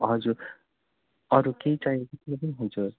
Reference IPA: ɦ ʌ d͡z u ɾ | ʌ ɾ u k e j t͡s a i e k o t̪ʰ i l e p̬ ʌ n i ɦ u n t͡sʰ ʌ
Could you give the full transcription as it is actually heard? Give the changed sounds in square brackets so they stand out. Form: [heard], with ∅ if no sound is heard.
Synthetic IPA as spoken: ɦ ʌ d͡z u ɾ | ʌ ɾ u k e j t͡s a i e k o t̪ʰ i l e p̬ ʌ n i ɦ u n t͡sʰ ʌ